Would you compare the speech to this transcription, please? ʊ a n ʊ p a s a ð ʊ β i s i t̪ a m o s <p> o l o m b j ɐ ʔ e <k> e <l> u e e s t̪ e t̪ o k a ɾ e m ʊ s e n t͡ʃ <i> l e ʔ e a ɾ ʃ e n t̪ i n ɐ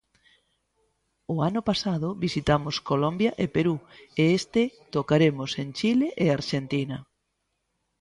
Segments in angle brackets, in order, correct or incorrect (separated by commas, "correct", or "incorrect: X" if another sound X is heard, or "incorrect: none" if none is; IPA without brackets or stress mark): incorrect: k, incorrect: p, incorrect: ɾ, correct